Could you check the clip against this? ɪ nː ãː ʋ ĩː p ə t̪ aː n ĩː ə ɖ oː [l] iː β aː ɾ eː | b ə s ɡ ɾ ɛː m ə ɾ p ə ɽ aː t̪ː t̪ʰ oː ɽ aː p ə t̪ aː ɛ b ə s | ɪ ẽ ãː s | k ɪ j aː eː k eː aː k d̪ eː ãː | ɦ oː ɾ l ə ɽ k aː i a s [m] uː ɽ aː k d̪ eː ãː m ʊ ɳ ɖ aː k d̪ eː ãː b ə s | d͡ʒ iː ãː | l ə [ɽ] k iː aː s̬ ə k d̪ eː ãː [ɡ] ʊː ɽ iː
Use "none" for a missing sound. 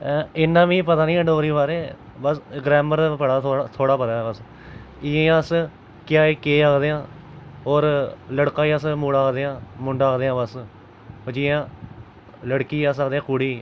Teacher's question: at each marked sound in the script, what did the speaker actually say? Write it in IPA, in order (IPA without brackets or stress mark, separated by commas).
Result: ɾ, m, ɽ, k